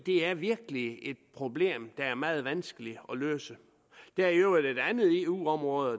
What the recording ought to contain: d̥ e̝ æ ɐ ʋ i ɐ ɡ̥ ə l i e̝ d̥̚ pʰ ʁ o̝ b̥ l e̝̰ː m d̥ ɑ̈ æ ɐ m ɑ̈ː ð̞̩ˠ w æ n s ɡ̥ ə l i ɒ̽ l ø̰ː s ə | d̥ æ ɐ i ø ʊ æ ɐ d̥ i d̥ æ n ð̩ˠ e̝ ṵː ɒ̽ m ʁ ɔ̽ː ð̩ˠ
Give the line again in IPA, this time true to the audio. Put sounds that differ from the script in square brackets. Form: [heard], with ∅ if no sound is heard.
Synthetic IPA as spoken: d̥ e̝ æ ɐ ʋ i ɐ ɡ̥ ə l i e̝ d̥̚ pʰ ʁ o̝ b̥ l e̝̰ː m d̥ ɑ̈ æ ɐ m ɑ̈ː ð̞̩ˠ [ʋ] æ n s ɡ̥ ə l i ɒ̽ l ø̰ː s ə | d̥ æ ɐ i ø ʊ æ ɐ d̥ [e] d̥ æ n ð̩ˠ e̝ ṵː ɒ̽ m ʁ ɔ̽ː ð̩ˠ